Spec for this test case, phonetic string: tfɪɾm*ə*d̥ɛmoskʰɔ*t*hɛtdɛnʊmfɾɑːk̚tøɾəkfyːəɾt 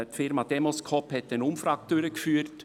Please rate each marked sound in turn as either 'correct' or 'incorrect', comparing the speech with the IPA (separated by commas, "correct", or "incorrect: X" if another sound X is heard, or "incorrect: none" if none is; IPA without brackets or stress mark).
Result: incorrect: ɑ, incorrect: p